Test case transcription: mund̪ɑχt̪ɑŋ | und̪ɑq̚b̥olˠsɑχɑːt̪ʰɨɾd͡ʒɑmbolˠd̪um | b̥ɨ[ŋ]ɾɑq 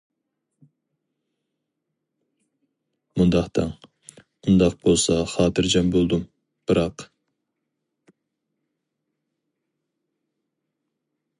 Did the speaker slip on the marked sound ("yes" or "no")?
yes